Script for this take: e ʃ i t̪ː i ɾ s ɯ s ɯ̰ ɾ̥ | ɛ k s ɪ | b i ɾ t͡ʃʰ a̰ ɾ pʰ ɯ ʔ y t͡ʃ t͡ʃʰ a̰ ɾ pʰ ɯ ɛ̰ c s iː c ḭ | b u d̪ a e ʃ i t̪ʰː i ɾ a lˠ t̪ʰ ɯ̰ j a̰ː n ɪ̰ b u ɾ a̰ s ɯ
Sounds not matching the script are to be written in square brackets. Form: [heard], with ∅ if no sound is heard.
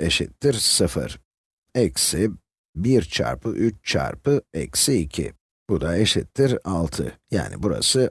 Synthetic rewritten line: e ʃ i t̪ː i ɾ s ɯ [f] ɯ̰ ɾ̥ | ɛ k s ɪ | b i ɾ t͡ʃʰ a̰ ɾ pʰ ɯ ʔ y t͡ʃ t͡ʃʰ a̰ ɾ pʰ ɯ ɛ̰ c s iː [cʰ] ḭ | b u d̪ a e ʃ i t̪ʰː i ɾ a lˠ t̪ʰ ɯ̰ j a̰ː n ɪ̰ b u ɾ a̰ s ɯ